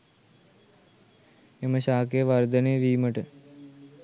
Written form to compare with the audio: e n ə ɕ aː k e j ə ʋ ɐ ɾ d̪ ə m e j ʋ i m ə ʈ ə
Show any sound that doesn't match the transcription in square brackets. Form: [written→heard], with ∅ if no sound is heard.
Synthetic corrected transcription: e [n→m] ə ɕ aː k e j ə ʋ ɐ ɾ d̪ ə [m→n] e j ʋ [i→iː] m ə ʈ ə